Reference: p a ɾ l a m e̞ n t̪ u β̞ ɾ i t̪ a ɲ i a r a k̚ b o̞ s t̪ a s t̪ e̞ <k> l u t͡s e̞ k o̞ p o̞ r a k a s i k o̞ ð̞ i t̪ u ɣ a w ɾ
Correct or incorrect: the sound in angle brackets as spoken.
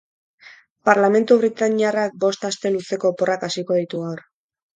incorrect: none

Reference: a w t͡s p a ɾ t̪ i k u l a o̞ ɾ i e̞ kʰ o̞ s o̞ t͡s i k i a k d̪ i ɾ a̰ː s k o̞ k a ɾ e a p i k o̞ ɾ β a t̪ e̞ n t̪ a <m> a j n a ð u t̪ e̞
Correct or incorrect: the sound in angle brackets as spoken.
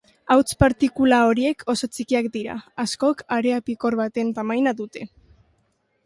correct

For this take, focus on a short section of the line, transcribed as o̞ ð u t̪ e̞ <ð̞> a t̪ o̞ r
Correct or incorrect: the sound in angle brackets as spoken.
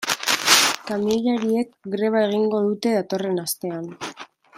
correct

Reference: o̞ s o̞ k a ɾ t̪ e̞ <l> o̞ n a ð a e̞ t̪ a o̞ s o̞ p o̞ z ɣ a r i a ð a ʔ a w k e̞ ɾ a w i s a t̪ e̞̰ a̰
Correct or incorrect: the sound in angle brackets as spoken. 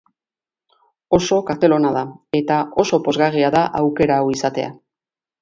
correct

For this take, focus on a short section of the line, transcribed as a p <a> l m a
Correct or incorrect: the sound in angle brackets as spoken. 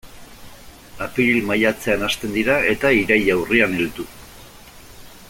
incorrect: i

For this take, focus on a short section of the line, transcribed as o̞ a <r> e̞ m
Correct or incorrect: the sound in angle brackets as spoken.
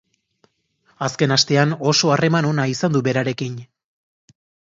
correct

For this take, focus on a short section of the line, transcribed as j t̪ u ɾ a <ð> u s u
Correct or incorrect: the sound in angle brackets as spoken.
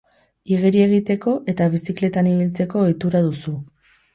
correct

